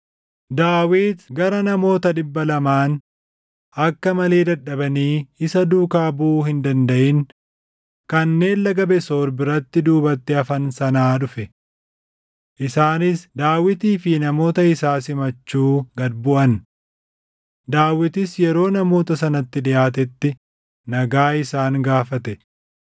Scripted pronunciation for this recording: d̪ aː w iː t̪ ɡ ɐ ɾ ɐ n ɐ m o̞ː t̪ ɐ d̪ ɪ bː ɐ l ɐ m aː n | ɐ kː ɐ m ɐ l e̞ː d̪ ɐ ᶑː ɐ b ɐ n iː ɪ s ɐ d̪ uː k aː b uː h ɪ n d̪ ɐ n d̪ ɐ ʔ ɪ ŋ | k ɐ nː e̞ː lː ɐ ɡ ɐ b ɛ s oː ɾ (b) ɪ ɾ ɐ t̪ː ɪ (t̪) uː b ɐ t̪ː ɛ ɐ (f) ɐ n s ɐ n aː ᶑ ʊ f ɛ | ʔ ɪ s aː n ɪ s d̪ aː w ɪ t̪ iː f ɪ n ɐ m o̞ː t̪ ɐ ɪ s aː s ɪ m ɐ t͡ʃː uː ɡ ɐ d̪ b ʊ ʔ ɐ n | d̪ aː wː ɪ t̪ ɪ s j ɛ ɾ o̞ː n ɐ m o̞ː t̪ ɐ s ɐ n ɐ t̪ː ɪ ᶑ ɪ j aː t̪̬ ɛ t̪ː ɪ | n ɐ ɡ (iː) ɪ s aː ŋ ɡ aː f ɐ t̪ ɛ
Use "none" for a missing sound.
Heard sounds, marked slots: b, d̪, f, aː

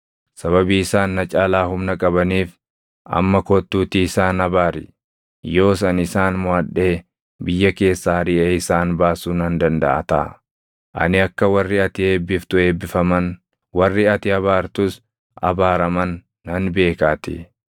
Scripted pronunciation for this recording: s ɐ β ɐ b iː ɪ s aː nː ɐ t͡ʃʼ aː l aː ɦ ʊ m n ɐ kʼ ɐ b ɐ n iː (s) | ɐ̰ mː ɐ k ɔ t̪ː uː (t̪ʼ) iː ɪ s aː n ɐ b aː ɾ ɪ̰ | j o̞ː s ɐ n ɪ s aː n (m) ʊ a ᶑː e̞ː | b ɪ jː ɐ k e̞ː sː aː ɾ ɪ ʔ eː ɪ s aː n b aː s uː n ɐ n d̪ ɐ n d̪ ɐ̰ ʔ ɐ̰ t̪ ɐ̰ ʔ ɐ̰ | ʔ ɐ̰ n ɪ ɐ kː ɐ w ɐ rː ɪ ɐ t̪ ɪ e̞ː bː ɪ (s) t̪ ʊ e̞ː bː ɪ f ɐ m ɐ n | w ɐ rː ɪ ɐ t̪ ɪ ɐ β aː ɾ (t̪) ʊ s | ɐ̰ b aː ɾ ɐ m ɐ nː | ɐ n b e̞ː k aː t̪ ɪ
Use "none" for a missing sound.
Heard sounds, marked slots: f, t̪, m, f, t̪

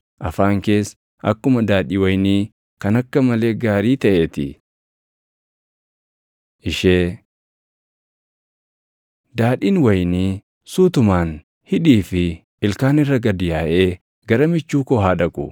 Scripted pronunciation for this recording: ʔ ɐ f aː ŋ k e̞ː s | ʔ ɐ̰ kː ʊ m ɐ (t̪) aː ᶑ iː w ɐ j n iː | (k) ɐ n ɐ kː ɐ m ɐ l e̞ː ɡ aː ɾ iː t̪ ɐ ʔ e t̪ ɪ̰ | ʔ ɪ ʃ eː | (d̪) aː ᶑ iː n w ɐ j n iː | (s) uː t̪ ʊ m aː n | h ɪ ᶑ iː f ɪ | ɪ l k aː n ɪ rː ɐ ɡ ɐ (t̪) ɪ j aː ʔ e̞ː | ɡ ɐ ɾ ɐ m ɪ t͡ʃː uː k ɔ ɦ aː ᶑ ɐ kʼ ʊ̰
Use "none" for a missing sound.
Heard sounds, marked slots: d̪, k, d̪, s, d̪

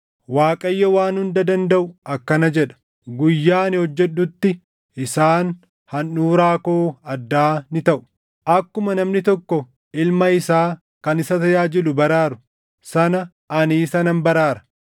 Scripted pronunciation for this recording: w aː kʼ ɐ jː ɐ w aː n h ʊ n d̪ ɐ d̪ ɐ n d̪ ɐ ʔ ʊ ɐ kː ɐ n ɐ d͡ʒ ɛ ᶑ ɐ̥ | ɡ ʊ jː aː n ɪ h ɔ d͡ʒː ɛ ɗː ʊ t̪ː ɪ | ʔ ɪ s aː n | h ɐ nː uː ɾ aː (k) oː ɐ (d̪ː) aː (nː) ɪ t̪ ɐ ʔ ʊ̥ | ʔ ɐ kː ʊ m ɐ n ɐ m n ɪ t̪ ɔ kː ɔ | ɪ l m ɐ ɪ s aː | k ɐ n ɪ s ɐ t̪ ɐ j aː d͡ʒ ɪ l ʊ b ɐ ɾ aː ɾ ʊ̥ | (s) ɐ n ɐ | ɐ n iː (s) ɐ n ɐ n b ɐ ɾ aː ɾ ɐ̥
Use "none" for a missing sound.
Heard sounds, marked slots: k, d̪ː, n, s, s

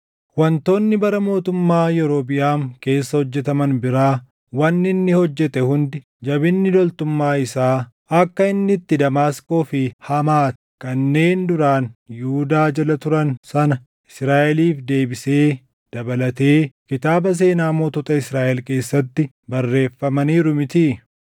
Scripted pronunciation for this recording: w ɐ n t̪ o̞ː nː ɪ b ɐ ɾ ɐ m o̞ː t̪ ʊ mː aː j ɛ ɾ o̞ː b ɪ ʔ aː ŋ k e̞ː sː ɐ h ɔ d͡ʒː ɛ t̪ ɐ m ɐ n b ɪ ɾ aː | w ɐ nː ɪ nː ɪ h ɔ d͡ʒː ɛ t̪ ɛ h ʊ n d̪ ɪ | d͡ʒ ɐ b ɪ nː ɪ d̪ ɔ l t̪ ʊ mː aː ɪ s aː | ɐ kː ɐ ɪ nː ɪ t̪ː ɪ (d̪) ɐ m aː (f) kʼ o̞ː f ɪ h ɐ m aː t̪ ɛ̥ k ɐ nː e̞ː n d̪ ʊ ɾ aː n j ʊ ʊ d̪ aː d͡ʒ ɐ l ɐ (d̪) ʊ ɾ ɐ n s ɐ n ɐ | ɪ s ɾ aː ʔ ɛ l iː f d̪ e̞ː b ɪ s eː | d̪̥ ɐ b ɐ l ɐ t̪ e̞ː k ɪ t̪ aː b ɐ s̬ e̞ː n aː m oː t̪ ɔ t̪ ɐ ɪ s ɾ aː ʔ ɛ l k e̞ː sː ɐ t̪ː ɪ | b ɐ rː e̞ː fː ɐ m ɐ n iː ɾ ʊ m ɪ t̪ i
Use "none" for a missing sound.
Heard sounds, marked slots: d̪, s, t̪

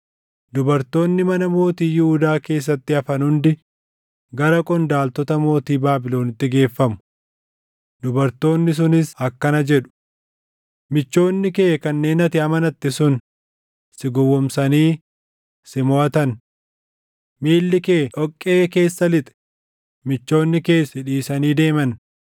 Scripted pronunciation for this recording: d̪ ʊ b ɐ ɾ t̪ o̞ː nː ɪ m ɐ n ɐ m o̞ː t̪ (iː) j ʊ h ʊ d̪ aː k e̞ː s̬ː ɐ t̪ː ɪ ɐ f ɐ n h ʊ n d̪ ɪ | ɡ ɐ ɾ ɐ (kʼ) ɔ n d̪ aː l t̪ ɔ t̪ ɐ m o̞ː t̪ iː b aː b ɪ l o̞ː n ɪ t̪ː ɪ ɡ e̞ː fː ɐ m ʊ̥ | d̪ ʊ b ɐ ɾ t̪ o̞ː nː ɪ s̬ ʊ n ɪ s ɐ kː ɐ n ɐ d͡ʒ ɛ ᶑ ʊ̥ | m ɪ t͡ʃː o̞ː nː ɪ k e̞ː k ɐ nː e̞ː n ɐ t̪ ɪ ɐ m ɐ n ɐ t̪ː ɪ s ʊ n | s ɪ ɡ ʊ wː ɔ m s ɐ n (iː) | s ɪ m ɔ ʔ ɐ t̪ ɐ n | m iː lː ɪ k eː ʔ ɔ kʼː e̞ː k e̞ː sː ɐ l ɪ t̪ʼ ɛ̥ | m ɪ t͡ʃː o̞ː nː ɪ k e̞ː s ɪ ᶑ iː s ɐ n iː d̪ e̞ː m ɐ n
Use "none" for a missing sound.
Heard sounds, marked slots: iː, kʼ, iː

